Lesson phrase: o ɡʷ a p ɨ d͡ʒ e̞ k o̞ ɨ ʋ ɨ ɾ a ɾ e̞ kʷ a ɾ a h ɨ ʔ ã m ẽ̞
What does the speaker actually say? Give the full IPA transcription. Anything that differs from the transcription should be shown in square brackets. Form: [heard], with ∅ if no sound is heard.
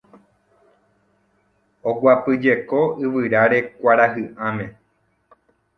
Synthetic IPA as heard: o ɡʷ a p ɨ d͡ʒ e̞ k o̞ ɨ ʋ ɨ ɾ a ɾ e̞ kʷ a ɾ a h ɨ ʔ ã m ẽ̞